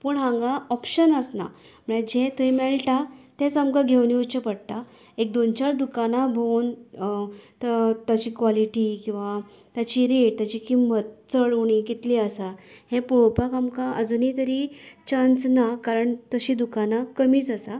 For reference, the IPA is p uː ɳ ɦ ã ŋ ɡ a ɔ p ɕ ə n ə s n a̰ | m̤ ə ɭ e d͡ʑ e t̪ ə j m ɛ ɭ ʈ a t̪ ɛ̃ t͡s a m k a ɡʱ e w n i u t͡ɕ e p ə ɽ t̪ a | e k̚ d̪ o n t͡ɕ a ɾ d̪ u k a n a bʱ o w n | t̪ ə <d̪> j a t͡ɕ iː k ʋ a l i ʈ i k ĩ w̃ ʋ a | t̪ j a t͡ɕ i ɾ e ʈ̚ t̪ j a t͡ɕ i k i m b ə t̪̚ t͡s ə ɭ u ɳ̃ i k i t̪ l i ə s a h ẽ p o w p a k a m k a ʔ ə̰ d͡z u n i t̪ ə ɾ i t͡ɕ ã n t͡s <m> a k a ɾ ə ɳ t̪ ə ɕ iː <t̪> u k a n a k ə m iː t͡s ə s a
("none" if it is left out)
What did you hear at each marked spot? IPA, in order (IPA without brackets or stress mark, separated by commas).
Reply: t̪, n, d̪